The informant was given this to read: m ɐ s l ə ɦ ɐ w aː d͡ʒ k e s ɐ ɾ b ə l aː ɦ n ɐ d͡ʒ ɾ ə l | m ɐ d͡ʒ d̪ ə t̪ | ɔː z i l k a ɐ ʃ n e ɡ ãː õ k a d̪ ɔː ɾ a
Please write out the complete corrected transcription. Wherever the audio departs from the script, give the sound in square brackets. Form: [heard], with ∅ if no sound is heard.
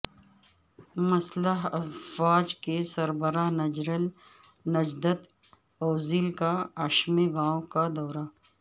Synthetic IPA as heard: m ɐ s l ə ɦ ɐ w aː d͡ʒ k e s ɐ ɾ b ə [ɾ] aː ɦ n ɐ d͡ʒ ɾ ə l | [n] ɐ d͡ʒ d̪ ə t̪ | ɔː z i l k a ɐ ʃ [m] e ɡ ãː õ k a d̪ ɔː ɾ a

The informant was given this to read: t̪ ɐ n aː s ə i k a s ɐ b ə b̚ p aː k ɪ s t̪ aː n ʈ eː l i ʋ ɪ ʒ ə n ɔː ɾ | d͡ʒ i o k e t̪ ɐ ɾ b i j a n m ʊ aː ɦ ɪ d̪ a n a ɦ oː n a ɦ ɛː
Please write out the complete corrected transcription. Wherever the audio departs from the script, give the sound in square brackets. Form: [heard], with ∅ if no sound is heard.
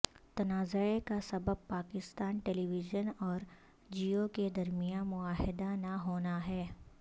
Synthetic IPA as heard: t̪ ɐ n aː [z] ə [e] k a s ɐ b ə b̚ p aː k ɪ s t̪ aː n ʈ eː l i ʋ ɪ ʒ ə n ɔː ɾ | d͡ʒ i o k e [d̪] ɐ ɾ [m] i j a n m ʊ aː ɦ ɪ d̪ a n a ɦ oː n a ɦ ɛː

